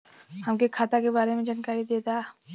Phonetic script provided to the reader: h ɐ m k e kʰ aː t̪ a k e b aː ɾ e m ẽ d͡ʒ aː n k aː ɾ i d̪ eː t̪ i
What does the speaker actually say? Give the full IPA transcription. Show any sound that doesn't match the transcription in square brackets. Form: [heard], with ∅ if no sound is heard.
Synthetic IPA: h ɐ m k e kʰ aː t̪ a k e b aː ɾ e m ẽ d͡ʒ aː n k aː ɾ i d̪ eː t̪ [a]